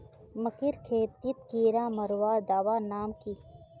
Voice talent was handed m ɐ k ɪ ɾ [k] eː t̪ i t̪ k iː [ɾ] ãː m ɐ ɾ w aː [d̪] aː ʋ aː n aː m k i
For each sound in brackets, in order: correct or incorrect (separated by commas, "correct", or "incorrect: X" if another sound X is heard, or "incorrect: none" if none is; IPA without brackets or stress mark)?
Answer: incorrect: kʰ, correct, correct